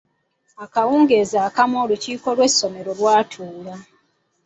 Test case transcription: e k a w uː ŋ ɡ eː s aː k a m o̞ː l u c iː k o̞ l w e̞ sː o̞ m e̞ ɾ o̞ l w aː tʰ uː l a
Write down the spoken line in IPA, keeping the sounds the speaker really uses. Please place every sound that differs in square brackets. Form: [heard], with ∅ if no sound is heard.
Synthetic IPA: [a] k a w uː ŋ ɡ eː [z] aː k a m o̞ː l u c iː k o̞ l w e̞ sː o̞ m e̞ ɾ o̞ l w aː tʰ uː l a